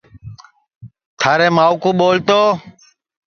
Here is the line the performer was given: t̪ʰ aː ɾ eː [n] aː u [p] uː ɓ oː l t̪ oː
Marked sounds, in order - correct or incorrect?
incorrect, incorrect

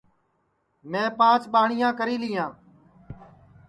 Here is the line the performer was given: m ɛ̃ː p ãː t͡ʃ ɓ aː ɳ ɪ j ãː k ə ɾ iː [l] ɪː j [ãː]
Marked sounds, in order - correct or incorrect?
correct, correct

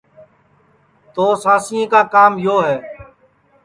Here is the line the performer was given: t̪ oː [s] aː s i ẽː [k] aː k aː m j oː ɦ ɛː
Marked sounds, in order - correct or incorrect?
correct, correct

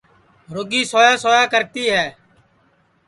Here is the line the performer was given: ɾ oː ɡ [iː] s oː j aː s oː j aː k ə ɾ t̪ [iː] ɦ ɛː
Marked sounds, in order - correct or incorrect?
correct, correct

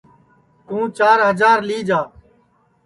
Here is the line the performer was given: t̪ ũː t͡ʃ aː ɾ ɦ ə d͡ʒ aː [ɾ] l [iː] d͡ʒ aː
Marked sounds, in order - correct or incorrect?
correct, correct

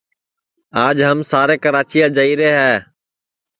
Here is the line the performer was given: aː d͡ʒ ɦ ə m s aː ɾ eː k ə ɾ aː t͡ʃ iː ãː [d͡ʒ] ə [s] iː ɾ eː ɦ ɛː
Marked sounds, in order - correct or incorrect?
correct, incorrect

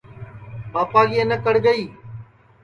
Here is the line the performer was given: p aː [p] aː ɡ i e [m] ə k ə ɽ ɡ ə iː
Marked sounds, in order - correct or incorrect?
correct, incorrect

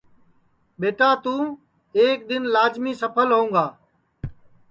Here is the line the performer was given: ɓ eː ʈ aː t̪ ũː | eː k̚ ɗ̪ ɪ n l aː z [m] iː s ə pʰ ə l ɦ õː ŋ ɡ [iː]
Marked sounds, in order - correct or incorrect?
correct, incorrect

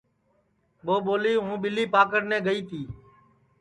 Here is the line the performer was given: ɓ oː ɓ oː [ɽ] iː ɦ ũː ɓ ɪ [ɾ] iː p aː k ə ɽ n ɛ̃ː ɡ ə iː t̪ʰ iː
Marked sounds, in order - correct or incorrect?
incorrect, incorrect

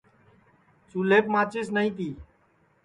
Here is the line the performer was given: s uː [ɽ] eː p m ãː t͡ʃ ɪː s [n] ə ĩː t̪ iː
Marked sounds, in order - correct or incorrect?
incorrect, correct

